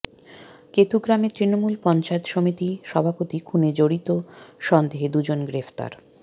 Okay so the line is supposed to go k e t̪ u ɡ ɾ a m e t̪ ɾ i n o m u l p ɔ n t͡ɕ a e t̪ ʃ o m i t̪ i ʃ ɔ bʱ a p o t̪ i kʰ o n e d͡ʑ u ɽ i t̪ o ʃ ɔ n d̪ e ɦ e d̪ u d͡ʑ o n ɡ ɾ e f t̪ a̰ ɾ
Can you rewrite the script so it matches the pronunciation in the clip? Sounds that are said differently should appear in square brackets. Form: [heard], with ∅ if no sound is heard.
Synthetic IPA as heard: k e t̪ u ɡ ɾ a m e t̪ ɾ i n o m u l p ɔ n t͡ɕ a e t̪ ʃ o m i t̪ i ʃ ɔ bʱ a p o t̪ i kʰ [u] n e d͡ʑ [o] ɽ i t̪ o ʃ ɔ n d̪ e ɦ e d̪ u d͡ʑ o n ɡ ɾ e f t̪ a̰ ɾ